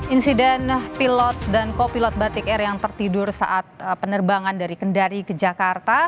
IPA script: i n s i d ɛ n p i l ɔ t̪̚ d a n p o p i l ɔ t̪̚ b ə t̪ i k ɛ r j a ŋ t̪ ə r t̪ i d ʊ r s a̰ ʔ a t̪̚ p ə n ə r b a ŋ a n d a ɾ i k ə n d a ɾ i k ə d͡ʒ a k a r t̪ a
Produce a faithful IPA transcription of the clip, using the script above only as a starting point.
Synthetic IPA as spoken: i n s i d ɛ n p i l ɔ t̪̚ d a n k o p i l ɔ t̪̚ b a t̪ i k ɛ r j a ŋ t̪ ə r t̪ i d ʊ r s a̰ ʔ a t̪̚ p ə n ə r b a ŋ a n d a ɾ i k ə n d a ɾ i k ə d͡ʒ a k a r t̪ a